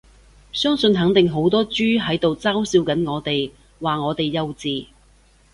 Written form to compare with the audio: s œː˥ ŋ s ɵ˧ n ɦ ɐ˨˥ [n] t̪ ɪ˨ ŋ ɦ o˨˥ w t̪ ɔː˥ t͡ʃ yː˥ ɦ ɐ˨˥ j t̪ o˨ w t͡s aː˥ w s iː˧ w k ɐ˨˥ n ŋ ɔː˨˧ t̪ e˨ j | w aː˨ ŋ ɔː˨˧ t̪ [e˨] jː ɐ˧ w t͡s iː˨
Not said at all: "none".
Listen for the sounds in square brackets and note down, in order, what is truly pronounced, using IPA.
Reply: ŋ, e˨

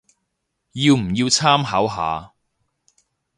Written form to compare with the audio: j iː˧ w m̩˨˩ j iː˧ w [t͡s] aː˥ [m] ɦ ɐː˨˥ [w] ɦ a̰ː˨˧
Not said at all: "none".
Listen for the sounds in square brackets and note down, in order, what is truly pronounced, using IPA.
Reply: t͡sʰ, m, w

